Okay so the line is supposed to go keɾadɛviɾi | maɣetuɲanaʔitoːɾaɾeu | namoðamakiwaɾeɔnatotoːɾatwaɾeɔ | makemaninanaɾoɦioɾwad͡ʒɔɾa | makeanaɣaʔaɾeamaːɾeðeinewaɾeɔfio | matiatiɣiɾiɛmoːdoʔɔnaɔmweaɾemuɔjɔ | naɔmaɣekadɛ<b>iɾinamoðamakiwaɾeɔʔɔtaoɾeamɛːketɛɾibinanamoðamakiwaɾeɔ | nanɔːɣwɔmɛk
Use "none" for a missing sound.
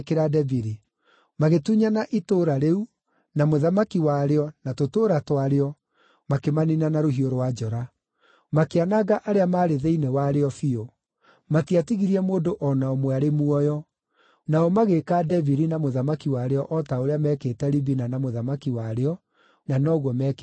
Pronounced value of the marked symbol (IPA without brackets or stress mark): v